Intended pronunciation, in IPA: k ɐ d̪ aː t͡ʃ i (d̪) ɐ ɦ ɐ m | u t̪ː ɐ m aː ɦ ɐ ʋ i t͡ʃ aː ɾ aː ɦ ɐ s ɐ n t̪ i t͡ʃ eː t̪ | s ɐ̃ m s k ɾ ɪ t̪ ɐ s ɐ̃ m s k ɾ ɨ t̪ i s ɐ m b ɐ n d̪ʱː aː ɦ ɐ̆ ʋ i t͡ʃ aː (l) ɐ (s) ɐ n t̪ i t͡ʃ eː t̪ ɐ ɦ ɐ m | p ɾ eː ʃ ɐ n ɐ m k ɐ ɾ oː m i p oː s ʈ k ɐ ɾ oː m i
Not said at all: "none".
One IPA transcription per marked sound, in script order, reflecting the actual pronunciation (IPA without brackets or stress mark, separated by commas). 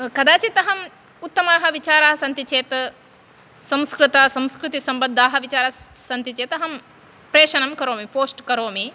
t̪, ɾ, s